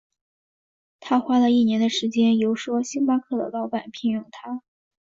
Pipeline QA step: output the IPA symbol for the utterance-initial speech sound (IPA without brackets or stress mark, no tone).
t̪ʰ